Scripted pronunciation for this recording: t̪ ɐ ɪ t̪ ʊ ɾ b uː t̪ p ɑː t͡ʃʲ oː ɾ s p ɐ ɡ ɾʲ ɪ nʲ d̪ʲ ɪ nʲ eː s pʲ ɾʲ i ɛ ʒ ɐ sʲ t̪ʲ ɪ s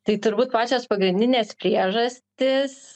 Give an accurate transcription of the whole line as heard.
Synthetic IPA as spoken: t̪ ɐ ɪ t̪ ʊ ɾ b uː t̪ p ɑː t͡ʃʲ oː s p ɐ ɡ ɾʲ ɪ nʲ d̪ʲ ɪ nʲ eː s pʲ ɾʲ i ɛ ʒ ɐ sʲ t̪ʲ ɪ s